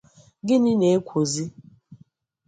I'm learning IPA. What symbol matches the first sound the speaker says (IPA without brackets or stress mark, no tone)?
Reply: ɡ